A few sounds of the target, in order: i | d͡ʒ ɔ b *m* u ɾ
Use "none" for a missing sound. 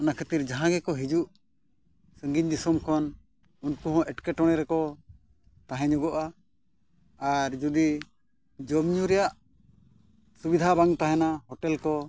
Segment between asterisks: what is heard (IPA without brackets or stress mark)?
ɲ